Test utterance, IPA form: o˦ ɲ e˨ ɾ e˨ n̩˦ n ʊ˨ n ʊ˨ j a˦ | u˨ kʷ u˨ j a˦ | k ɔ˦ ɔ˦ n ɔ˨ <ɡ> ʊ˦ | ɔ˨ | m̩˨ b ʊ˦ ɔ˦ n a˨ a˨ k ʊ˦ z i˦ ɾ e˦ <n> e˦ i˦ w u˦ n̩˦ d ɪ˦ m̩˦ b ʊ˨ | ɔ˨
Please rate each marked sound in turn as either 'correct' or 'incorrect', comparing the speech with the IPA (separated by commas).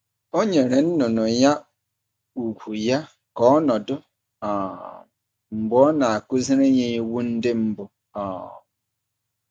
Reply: incorrect, incorrect